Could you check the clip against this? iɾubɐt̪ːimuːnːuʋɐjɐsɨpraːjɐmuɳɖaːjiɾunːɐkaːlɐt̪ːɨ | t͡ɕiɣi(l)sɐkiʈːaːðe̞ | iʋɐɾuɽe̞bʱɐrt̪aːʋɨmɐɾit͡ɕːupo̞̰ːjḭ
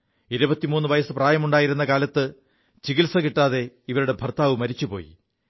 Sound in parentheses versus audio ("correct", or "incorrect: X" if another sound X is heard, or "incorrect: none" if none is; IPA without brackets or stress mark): correct